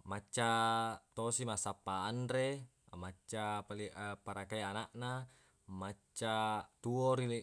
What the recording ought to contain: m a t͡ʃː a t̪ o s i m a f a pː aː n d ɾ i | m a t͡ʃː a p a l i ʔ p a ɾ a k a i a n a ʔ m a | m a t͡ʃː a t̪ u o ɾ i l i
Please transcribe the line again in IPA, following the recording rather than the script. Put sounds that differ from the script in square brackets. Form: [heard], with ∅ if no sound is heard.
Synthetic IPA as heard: m a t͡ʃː a t̪ o s i m a [s] a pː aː n d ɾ [e] | m a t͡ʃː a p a l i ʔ p a ɾ a k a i a n a ʔ [n] a | m a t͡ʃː a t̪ u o ɾ i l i